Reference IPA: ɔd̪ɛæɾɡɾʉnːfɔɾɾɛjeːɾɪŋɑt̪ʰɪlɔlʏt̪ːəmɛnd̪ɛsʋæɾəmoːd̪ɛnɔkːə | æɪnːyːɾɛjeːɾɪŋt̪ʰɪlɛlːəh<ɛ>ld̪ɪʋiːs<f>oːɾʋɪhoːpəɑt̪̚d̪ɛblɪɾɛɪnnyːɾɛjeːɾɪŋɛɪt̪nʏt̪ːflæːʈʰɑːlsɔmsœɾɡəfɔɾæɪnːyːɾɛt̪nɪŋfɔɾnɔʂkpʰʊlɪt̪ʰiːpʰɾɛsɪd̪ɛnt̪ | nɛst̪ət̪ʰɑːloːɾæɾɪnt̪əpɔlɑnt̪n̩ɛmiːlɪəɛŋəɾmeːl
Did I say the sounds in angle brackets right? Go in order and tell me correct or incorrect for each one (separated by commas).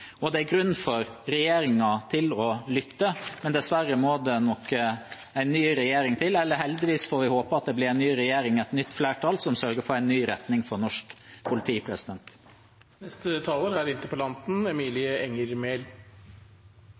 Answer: correct, correct